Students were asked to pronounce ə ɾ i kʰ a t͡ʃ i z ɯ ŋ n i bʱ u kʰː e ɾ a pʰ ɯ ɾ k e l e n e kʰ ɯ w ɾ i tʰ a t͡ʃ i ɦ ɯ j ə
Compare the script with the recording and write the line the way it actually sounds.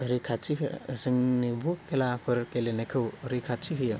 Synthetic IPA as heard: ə ɾ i kʰ a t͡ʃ i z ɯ ŋ n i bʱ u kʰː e l a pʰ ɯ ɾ k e l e n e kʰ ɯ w ɾ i kʰ a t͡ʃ i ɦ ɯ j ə